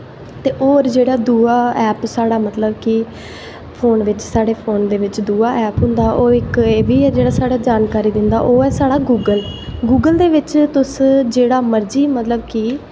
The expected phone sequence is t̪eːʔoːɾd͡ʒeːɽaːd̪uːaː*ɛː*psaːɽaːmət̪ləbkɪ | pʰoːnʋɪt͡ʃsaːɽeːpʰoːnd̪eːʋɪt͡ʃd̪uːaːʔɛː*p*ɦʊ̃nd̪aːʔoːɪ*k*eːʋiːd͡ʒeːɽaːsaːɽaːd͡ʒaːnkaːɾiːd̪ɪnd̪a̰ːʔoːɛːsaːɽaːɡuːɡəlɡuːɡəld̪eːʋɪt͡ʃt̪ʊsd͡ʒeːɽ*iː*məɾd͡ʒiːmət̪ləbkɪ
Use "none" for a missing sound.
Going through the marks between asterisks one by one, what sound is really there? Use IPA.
ɛː, p, k, aː

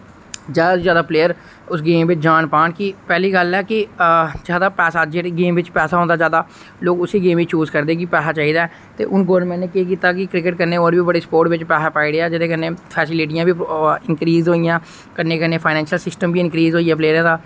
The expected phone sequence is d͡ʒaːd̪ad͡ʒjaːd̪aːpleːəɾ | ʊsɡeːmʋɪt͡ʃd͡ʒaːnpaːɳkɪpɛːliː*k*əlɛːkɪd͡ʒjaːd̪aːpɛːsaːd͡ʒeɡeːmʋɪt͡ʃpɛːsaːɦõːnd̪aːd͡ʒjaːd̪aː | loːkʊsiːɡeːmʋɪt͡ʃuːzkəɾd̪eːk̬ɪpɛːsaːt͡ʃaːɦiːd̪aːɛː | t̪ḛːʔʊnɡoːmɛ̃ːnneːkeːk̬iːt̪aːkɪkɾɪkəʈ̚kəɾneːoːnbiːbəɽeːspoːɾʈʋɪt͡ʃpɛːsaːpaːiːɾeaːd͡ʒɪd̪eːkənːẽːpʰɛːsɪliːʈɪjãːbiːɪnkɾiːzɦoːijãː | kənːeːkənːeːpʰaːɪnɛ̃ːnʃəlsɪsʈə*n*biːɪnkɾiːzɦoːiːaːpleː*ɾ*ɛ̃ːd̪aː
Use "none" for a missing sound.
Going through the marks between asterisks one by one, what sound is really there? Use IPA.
ɡ, m, ɾ

